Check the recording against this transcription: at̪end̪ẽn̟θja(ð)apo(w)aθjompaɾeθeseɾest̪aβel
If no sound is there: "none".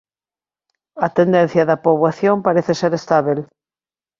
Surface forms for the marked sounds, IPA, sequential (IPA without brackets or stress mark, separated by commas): ð, β